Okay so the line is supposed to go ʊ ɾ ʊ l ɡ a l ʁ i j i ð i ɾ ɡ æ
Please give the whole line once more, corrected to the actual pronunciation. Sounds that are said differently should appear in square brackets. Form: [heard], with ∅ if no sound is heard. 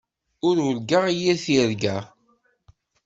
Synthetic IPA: ʊ ɾ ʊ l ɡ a [∅] ʁ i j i [θ] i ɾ ɡ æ